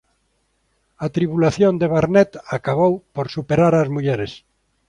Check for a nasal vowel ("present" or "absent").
absent